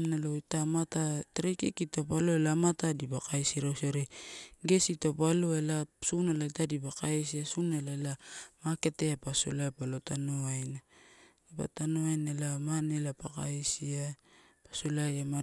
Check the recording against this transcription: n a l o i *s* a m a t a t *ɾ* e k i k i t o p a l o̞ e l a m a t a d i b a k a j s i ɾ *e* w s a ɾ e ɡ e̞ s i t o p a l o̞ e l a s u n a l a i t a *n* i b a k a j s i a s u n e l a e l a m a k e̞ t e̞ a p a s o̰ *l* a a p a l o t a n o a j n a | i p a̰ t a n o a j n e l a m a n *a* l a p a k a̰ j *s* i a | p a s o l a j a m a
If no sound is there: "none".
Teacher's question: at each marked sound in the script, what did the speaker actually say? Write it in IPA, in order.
t, ɾ, a, d, l, e, s

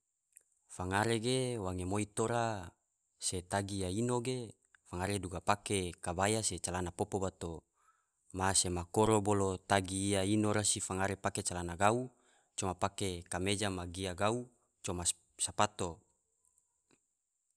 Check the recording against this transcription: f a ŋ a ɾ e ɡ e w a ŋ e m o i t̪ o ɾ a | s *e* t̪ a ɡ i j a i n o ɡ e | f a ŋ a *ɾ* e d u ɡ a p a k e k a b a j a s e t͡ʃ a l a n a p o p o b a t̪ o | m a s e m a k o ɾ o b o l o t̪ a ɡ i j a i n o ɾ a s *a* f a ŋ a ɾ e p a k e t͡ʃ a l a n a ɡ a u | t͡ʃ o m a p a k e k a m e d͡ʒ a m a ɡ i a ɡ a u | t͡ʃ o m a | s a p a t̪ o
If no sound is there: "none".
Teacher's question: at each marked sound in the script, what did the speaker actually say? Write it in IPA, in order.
e, ɾ, i

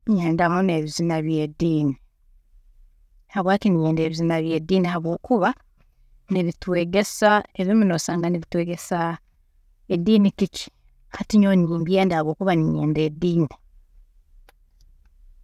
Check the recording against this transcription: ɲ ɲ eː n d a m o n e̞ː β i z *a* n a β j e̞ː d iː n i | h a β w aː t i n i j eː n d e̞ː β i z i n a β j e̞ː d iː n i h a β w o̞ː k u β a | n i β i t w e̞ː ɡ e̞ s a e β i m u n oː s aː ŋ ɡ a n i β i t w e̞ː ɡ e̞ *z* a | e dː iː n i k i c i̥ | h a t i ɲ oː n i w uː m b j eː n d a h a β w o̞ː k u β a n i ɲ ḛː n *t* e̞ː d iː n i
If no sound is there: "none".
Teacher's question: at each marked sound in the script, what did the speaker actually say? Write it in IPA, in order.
i, s, d

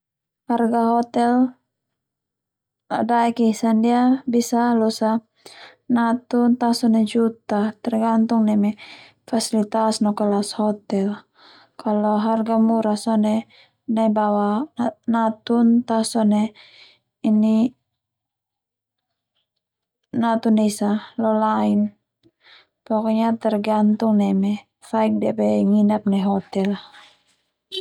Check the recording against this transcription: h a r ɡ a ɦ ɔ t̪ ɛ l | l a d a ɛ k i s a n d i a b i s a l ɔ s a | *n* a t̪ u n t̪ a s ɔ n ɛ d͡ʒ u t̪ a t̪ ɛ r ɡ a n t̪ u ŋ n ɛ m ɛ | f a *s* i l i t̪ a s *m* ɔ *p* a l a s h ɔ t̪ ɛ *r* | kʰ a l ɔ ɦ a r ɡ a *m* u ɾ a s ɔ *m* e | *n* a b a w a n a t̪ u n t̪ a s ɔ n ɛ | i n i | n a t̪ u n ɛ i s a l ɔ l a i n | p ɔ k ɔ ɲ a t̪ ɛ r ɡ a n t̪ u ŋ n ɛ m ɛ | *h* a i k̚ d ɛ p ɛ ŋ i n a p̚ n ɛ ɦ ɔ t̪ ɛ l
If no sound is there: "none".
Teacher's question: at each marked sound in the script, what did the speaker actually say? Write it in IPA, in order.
n, s, n, k, l, m, n, n, f

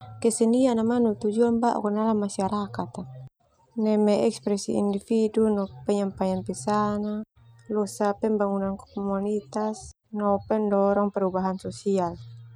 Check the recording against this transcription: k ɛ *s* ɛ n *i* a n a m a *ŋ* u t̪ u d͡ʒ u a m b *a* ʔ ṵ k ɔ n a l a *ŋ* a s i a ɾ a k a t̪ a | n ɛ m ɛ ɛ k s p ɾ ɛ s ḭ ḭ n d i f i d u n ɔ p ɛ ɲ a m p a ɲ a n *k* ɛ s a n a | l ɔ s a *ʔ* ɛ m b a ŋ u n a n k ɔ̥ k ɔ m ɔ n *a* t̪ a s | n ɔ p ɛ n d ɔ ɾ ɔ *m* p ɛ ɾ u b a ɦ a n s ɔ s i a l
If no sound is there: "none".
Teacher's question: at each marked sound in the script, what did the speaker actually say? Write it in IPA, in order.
s, i, n, a, m, p, p, i, ŋ

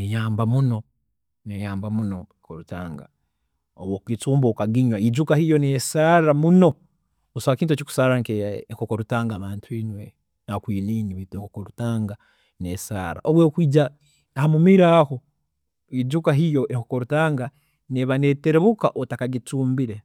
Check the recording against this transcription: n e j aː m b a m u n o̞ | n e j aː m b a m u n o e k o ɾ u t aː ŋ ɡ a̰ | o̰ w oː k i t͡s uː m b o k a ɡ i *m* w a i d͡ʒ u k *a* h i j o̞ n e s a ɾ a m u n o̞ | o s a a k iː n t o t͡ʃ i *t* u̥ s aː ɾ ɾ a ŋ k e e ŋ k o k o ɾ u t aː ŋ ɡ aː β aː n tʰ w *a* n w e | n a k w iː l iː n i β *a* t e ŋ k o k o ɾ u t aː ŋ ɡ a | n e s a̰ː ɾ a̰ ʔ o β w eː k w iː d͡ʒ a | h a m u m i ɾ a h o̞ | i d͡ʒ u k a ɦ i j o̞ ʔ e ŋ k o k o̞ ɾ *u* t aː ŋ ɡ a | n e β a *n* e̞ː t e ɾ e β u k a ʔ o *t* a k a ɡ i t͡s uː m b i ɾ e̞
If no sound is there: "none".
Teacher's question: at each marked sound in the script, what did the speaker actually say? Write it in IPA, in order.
ɲ, a, k, i, i, u, n, t

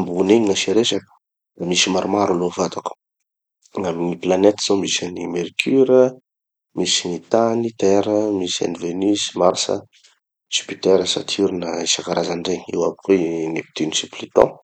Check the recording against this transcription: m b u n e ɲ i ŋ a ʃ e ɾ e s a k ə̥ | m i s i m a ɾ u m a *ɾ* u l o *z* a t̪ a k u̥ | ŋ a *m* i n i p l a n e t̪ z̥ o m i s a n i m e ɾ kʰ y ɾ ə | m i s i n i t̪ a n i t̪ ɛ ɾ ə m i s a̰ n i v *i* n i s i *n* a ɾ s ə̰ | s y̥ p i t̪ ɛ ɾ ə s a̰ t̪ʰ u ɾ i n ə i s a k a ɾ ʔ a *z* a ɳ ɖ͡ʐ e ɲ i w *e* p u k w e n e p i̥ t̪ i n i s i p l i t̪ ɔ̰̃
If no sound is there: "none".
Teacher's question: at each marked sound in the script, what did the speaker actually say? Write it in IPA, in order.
ɾ, v, m, e, m, z, a

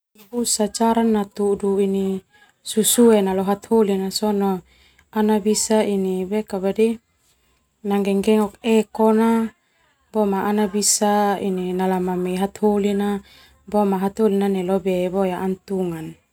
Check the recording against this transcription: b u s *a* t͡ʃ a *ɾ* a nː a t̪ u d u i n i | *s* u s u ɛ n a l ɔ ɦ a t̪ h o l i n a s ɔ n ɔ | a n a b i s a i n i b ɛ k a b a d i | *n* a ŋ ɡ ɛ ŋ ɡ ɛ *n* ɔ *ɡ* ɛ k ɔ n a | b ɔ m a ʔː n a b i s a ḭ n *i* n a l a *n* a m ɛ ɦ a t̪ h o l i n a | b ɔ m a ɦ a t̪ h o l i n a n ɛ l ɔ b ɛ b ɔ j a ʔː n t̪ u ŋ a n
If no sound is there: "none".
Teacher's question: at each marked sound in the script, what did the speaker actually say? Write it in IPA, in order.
a, ɾ, s, n, ŋ, k, i, m

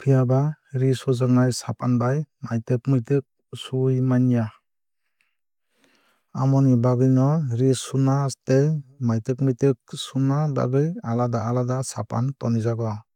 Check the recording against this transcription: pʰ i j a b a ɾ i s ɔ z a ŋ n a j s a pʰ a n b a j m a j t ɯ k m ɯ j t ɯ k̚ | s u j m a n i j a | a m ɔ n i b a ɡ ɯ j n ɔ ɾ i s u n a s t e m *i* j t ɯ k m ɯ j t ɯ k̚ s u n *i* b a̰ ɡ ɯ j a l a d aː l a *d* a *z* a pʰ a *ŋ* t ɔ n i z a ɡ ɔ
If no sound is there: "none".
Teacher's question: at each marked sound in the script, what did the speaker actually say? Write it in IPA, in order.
a, a, d, s, n

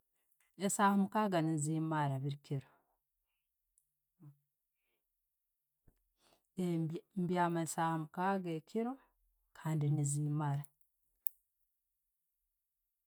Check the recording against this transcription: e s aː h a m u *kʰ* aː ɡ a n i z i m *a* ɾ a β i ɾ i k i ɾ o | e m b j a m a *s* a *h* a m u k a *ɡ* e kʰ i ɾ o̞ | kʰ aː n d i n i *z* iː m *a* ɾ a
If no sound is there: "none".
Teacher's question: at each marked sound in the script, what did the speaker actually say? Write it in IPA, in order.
k, a, s, h, ɡ, z, a

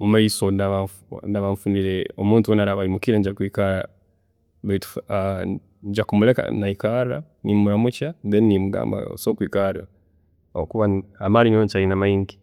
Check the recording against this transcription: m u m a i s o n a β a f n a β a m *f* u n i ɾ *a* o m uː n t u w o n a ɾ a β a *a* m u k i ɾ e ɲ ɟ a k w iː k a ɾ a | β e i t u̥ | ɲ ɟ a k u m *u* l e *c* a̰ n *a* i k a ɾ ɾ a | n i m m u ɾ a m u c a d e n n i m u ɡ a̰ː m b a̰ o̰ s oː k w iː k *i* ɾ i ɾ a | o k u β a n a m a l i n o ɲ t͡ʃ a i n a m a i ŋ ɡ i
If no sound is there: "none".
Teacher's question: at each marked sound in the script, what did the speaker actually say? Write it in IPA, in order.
f, e, i, u, k, a, a

